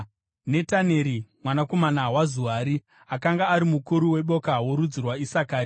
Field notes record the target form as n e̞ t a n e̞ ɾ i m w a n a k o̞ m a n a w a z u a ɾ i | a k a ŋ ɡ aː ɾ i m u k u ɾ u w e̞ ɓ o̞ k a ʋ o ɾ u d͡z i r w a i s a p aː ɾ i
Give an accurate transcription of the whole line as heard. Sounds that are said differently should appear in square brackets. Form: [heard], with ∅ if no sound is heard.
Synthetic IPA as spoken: n e̞ t a n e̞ ɾ i m w a n a k o̞ m a n a w a z u a ɾ i | a k a ŋ ɡ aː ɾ i m u k u ɾ u w e̞ ɓ o̞ k a [w] o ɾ u d͡z i r w a i s a [k] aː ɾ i